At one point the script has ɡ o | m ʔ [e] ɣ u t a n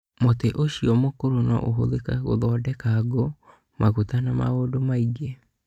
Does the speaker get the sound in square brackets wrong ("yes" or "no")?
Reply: yes